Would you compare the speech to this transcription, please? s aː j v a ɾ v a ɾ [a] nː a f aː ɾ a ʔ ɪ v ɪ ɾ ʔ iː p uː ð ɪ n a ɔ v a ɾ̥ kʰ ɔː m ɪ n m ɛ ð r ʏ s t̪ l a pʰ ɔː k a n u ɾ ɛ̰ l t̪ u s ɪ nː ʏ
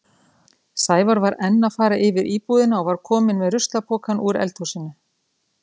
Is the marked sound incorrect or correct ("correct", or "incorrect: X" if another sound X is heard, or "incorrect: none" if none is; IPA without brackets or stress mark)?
incorrect: ɛ